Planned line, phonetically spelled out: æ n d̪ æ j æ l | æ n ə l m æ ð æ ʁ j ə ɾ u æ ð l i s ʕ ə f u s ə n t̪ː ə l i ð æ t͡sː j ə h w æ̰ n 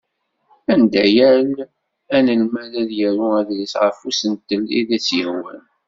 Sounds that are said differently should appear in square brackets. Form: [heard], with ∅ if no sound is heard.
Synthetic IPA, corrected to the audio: æ n d̪ æ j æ l | æ n ə l m æ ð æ [ð] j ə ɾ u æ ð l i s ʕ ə f u s ə n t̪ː ə l i ð æ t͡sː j ə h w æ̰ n